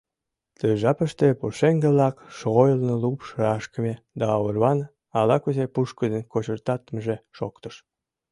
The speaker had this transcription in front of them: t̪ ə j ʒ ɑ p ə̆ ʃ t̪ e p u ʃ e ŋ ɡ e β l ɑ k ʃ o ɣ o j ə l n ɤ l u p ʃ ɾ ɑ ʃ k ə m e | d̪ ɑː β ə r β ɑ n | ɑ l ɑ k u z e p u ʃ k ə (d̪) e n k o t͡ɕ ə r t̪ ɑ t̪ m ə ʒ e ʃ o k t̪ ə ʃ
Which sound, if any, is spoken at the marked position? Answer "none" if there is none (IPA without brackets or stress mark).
d̪